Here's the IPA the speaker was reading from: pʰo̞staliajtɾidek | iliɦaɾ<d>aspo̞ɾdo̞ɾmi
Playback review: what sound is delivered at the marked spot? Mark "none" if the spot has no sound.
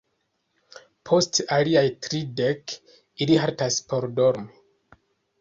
t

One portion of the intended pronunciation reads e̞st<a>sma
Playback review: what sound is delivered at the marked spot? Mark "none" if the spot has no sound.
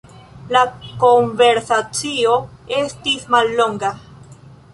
i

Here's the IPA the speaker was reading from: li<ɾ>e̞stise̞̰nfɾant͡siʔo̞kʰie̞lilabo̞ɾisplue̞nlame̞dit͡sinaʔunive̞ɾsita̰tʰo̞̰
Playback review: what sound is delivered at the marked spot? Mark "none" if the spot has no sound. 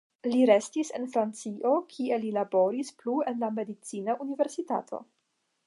ɾ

